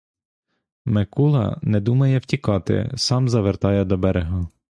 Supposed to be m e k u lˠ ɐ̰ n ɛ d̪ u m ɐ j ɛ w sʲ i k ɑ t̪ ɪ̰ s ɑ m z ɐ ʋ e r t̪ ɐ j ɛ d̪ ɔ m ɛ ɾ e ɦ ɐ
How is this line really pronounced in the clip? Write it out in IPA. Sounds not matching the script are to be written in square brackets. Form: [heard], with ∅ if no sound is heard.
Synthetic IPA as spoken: m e k u lˠ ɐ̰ n ɛ d̪ u m ɐ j ɛ w [tʲ] i k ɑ t̪ ɪ̰ s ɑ m z ɐ ʋ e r t̪ [ɑ] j ɛ d̪ ɔ [b] ɛ ɾ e ɦ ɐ